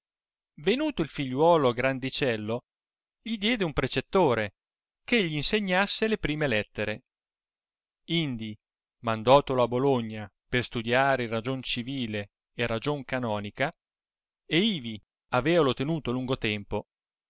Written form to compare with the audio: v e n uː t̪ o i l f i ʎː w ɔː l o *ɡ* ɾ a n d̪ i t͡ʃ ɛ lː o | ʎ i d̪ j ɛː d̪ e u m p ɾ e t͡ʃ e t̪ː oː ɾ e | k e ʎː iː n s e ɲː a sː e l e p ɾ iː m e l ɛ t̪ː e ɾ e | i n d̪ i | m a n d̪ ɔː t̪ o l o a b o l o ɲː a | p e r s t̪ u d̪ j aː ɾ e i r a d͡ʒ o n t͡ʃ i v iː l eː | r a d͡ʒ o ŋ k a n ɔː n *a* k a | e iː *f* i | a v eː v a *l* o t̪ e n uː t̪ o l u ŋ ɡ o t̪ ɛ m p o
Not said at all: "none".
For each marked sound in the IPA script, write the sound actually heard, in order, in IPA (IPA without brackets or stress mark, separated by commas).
ɡ, i, v, l